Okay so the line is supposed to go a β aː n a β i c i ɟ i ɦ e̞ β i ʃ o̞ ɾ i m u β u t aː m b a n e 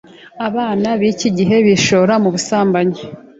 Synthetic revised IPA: a β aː n a β i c i ɟ i ɦ e̞ β i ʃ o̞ ɾ a m u β u s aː m b a ɲ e